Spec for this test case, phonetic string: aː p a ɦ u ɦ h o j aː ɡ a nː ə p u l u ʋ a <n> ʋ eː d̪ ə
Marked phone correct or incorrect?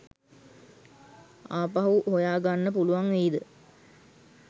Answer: incorrect